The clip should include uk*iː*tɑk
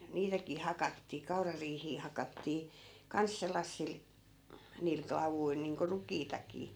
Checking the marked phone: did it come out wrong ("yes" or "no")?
no